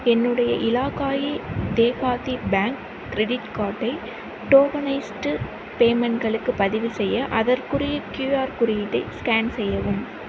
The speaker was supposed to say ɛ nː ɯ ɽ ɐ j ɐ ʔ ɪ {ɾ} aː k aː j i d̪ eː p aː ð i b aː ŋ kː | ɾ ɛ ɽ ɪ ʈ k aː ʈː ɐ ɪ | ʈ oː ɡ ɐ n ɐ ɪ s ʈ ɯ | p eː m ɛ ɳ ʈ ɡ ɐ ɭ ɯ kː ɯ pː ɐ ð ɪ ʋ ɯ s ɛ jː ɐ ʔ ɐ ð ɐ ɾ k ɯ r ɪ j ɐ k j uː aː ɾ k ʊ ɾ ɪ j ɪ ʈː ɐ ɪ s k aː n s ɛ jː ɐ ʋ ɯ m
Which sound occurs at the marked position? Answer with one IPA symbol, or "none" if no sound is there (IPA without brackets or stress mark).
l